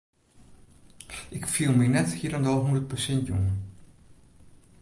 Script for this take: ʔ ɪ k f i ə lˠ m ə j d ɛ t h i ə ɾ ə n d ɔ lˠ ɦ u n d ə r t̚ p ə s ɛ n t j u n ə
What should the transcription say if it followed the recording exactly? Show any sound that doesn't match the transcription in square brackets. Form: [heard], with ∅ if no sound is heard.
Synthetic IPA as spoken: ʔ ɪ k f i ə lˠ m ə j [n] ɛ t h i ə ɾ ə n d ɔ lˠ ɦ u n d ə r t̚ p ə s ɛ n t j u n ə